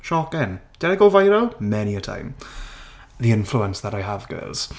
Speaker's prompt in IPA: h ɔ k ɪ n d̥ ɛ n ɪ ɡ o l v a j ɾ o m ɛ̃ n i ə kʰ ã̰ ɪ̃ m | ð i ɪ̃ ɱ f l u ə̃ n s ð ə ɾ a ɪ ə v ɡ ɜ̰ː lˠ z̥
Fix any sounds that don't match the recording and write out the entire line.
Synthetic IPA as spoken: ʃ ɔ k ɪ n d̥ ɛ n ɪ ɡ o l v a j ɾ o m ɛ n i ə tʰ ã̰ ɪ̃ m | ð i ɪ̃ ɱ f l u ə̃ n s ð ə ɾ a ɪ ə v ɡ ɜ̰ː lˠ z̥